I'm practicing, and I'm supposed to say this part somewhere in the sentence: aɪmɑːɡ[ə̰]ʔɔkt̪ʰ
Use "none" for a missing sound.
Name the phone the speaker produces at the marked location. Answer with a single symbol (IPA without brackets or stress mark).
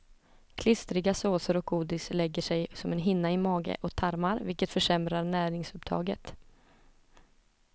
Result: ə̰